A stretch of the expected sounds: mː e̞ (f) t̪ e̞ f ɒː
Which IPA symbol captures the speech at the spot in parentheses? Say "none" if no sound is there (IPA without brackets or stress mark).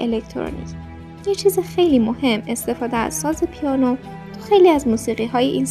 s